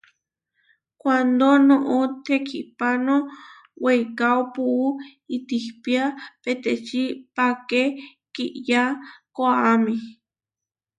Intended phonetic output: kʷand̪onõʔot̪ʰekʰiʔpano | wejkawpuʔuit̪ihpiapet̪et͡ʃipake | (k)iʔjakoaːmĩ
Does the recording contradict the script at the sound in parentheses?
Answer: no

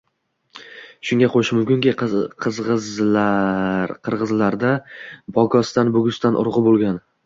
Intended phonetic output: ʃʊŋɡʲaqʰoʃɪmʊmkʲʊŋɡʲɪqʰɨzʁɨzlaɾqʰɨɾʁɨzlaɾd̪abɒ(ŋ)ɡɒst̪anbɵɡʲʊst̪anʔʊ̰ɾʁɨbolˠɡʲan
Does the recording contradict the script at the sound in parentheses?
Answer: yes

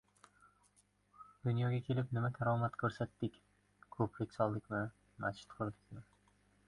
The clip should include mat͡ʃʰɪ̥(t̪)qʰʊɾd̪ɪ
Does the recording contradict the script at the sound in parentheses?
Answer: no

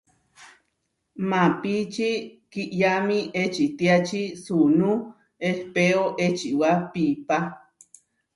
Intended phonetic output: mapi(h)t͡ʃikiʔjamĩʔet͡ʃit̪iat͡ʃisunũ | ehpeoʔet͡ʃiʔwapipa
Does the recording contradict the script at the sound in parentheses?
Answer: yes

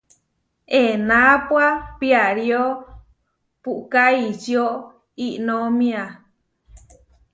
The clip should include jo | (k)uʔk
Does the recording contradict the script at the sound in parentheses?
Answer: yes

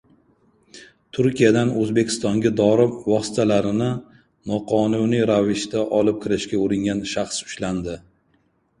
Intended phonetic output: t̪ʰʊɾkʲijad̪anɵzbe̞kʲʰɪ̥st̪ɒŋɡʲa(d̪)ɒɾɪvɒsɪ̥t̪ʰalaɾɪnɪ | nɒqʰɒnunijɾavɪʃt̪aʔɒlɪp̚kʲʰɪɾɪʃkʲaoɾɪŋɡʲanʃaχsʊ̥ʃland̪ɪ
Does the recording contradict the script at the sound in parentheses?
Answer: no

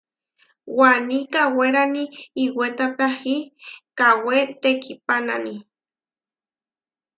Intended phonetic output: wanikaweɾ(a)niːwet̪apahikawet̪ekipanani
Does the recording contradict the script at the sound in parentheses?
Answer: no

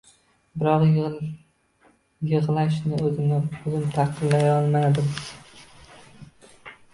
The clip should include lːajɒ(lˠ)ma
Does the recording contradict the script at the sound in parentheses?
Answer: no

